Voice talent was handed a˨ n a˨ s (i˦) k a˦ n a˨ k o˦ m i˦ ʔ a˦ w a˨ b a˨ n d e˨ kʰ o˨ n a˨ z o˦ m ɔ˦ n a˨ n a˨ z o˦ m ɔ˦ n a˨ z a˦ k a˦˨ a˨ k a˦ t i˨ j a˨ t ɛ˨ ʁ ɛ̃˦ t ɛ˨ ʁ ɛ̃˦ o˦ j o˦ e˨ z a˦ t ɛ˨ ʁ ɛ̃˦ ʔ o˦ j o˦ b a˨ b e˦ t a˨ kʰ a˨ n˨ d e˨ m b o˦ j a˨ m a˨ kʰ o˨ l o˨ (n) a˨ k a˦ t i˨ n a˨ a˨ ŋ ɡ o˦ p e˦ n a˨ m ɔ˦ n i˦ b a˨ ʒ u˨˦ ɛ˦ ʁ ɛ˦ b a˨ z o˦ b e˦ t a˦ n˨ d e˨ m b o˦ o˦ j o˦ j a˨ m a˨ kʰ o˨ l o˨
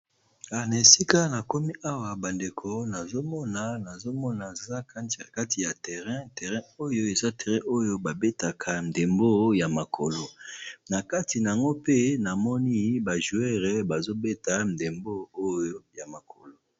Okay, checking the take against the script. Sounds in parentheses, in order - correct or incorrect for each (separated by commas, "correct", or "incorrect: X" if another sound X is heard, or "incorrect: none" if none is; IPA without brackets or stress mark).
correct, correct